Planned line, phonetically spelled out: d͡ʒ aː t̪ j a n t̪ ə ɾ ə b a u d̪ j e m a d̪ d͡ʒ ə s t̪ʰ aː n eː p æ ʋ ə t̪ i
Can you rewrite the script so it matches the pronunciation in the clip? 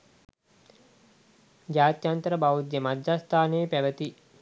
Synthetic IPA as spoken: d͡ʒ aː t̪ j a n t̪ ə ɾ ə b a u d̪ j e m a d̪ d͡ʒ a s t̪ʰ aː n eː p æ ʋ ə t̪ i